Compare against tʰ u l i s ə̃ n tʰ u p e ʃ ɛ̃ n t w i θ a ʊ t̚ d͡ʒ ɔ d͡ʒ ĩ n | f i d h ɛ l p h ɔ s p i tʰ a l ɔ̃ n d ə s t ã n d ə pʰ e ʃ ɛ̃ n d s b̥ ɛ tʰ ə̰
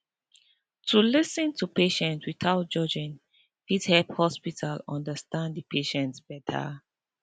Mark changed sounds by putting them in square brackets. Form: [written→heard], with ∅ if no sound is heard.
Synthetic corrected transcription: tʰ u l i s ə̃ n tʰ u p e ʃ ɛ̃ n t w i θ a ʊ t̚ d͡ʒ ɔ d͡ʒ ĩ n | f i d h ɛ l p h ɔ s p i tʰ a l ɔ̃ n d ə s t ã n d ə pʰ e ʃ ɛ̃ n [d→t] s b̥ ɛ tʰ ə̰